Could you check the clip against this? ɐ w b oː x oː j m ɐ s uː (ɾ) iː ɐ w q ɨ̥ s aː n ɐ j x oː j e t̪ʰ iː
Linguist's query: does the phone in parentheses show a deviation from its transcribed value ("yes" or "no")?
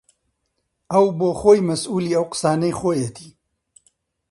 yes